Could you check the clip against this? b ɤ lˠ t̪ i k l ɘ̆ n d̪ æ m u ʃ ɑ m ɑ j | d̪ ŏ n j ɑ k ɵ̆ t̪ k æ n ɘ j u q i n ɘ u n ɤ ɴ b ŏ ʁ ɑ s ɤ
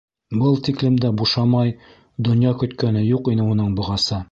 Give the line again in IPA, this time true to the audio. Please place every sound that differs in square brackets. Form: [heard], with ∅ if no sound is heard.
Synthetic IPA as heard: b ɤ lˠ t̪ i k l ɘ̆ [m] d̪ æ [b] u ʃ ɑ m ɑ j | d̪ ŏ n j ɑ k ɵ̆ t̪ k æ n ɘ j u q i n ɘ u n ɤ ɴ b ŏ ʁ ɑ s ɤ